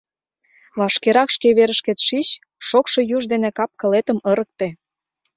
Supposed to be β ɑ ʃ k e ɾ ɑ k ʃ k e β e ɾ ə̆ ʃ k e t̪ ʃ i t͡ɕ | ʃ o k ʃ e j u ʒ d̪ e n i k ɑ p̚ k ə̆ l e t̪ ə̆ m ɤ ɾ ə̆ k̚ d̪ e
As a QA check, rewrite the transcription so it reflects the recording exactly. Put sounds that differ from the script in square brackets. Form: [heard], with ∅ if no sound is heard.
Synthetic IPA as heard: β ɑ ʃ k e ɾ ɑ k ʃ k e β e ɾ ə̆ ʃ k e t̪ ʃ i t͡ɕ | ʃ o k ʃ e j u ʒ d̪ e n [e] k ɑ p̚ k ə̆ l e t̪ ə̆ m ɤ ɾ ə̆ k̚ [t̪] e